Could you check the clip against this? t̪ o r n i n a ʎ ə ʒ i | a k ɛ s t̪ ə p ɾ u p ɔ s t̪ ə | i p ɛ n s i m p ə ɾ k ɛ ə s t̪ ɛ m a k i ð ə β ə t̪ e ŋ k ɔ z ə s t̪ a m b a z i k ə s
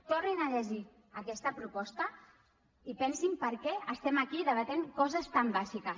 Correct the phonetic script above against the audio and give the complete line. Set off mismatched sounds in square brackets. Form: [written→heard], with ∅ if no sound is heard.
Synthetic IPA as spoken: t̪ o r n i n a ʎ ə ʒ i | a k ɛ s t̪ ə p ɾ u p ɔ s t̪ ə | i p ɛ n s i m p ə ɾ k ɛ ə s t̪ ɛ m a k i ð ə β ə t̪ e ŋ k ɔ z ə s t̪ a m b a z i k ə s